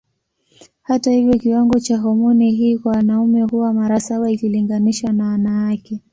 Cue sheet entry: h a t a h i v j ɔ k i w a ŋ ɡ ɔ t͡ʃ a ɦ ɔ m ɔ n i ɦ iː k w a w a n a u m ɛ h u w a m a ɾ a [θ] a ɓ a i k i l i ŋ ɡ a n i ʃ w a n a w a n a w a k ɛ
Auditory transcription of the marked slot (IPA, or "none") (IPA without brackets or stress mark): s